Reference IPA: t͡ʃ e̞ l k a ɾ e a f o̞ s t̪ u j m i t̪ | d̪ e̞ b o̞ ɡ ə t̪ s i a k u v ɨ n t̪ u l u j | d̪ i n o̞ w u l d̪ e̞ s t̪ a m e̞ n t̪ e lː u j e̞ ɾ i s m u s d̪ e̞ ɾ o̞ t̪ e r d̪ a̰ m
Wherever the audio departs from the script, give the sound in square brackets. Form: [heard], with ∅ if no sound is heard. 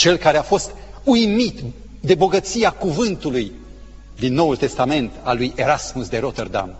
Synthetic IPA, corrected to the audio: t͡ʃ e̞ l k a ɾ e a f o̞ s t̪ u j m i t̪ | d̪ e̞ b o̞ ɡ ə t̪ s i a k u v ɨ n t̪ u l u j | d̪ i [nː] o̞ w u l [t̪] e̞ s t̪ a m e̞ n t̪ [a] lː u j e̞ ɾ [a] s m u s d̪ e̞ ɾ o̞ t̪ e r d̪ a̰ m